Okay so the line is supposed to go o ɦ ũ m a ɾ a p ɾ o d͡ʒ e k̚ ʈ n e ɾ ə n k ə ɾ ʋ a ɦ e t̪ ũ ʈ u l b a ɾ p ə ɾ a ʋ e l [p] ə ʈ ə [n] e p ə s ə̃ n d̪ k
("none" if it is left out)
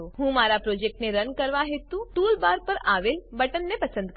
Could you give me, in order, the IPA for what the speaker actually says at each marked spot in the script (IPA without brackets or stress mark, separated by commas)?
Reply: b, nː